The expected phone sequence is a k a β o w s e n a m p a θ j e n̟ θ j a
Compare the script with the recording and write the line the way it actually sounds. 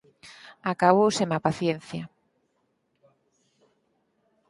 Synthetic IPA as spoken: a k a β o w s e m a p a θ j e n̟ θ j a